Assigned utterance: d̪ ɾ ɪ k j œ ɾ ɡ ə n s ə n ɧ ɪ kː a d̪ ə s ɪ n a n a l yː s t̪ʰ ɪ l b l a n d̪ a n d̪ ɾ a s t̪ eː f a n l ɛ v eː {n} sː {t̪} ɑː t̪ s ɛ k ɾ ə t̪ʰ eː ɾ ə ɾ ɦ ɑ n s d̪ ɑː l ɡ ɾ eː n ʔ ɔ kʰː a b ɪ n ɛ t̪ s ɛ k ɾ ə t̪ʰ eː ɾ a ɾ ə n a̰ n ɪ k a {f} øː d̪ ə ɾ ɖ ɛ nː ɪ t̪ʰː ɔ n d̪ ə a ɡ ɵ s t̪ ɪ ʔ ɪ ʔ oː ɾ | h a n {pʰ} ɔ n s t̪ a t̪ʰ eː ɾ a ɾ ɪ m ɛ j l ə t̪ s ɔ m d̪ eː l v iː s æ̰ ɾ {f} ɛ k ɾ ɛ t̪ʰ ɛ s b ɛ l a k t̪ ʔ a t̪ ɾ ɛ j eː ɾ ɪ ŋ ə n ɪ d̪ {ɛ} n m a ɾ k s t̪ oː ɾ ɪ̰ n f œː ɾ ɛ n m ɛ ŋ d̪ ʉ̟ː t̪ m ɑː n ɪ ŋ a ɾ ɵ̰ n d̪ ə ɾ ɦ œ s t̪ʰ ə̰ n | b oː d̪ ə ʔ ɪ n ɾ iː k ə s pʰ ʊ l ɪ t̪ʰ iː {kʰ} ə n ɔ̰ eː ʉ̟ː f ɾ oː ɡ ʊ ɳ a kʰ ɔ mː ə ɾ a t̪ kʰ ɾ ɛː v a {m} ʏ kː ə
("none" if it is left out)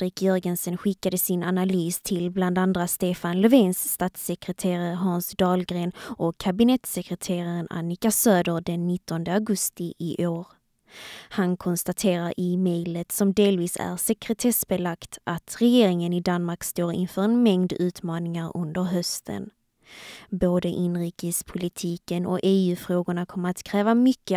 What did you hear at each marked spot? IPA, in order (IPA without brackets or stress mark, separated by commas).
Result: n, t̪, s, kʰ, s, a, k, m